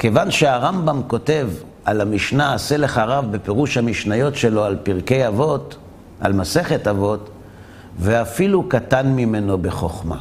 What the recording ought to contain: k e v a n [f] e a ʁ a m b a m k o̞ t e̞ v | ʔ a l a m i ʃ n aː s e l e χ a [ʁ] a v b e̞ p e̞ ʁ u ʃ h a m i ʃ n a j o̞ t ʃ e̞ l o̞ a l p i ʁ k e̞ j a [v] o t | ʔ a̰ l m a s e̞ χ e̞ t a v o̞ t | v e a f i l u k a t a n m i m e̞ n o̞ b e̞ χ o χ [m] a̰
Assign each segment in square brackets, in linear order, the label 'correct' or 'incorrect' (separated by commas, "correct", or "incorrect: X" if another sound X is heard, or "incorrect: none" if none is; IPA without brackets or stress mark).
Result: incorrect: ʃ, correct, correct, correct